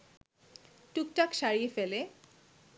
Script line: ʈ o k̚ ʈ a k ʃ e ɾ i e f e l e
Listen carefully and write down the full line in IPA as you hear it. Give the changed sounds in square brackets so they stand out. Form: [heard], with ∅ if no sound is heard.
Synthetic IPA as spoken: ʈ [u] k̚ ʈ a k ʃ [a] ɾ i e f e l e